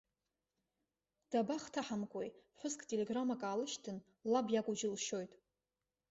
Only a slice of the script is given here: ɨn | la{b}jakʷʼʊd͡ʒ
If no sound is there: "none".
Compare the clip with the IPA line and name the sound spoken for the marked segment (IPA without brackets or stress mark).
b